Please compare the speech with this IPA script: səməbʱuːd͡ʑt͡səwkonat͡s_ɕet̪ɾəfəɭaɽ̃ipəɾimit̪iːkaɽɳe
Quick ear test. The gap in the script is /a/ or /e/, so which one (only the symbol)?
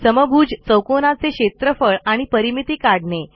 e